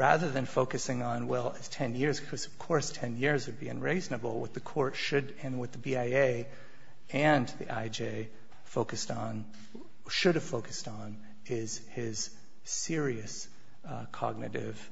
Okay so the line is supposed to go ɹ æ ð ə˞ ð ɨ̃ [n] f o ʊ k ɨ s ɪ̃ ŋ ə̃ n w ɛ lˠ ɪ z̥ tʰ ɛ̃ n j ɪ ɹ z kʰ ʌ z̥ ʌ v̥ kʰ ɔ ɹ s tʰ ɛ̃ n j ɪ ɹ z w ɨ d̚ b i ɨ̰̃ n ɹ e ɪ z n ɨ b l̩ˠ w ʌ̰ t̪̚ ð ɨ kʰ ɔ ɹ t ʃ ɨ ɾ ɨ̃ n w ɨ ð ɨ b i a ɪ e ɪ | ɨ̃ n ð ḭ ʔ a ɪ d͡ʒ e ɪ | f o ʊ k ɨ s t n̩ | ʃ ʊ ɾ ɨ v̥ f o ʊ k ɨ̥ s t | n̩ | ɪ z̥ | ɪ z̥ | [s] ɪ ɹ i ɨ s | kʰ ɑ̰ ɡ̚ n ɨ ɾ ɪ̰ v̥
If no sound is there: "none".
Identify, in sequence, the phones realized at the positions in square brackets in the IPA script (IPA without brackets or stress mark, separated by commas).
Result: n, s